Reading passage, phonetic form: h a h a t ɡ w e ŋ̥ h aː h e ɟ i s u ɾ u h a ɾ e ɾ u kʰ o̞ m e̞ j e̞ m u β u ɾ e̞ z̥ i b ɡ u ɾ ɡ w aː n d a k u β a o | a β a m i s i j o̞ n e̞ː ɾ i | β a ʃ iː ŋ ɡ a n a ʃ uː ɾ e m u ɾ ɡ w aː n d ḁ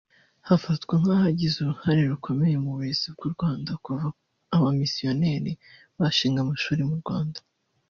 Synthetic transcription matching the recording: h a f a t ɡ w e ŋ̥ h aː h a ɟ i z u ɾ u h a ɾ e ɾ u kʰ o̞ m e̞ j e̞ m u β u ɾ e̞ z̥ i b ɡ u ɾ ɡ w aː n d a k u v a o | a β a m i s i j o̞ n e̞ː ɾ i | β a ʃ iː ŋ ɡ a m a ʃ uː ɾ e m u ɾ ɡ w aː n d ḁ